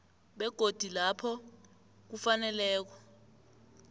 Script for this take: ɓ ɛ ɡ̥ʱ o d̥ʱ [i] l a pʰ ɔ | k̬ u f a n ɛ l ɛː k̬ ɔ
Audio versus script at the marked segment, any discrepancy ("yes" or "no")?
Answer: no